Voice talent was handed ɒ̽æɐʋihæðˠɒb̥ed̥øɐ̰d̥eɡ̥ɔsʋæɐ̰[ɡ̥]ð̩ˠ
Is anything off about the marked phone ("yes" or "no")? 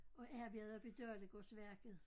no